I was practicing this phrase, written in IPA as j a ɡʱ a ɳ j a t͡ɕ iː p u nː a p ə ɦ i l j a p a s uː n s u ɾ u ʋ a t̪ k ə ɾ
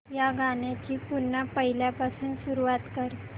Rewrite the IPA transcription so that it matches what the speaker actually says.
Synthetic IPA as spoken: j a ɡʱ a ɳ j a t͡ɕ iː p u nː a p ə ɦ i l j a p a s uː n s u ɾ u ʋ a t̪ k ə ɾ